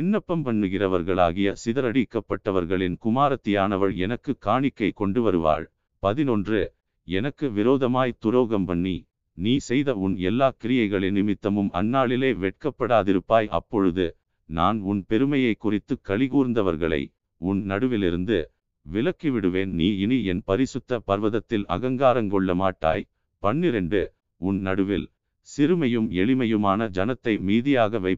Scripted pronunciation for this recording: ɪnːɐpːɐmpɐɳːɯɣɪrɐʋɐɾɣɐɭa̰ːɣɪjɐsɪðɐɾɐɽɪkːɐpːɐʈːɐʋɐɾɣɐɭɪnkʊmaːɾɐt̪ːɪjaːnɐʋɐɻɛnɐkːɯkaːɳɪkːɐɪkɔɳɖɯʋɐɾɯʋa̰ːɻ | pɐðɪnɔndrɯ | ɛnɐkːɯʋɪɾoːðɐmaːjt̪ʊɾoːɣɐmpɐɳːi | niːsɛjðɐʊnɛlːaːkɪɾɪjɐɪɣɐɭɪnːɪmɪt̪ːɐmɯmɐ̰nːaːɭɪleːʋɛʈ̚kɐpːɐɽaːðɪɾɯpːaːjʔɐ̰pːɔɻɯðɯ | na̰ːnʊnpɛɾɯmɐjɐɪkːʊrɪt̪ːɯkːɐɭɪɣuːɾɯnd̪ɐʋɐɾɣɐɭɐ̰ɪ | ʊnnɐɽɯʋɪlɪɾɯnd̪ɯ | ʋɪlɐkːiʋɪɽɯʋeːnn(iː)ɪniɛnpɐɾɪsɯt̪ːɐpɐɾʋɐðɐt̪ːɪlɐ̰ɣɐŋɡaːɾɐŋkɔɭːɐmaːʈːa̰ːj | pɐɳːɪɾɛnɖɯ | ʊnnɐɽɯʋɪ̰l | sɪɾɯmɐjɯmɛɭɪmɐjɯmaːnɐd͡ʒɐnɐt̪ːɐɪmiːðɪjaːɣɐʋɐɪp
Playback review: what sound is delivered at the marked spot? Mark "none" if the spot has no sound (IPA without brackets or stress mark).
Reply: iː